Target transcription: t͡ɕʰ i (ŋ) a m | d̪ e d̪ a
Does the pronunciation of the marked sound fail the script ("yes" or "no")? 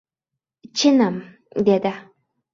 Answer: yes